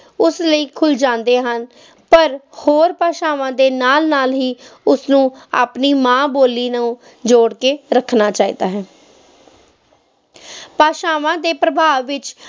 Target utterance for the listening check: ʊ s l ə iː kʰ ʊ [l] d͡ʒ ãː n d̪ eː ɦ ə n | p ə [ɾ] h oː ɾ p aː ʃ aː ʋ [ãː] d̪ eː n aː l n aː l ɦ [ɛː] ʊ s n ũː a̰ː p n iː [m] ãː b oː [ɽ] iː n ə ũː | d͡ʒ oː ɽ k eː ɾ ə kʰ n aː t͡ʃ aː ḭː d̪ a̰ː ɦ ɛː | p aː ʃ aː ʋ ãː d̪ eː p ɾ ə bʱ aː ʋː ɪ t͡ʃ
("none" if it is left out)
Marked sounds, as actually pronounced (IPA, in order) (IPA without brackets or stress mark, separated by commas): l, ɾ, ãː, iː, m, l